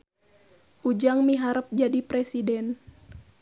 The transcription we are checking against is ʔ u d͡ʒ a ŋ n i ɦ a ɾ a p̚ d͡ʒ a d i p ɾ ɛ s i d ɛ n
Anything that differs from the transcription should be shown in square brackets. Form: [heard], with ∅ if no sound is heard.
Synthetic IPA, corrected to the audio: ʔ u d͡ʒ a ŋ [m] i ɦ a ɾ [ə] p̚ d͡ʒ a d i p ɾ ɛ s i d ɛ n